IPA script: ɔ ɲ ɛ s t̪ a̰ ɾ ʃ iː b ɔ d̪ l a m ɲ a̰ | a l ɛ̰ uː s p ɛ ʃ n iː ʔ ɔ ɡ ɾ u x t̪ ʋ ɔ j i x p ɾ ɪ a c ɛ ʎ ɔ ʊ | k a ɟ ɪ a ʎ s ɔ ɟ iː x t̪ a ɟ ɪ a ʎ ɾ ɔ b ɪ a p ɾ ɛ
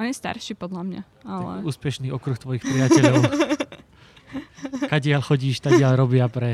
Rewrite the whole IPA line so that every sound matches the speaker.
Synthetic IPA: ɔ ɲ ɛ s t̪ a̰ ɾ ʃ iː p ɔ d̪ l a m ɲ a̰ | a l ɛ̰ uː s p ɛ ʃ n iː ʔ ɔ k ɾ u x t̪ ʋ ɔ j i x p ɾ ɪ a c ɛ ʎ ɔ ʊ | k a ɟ ɪ a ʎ x ɔ ɟ iː ʃ t̪ a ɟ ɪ a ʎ ɾ ɔ b ɪ a p ɾ ɛ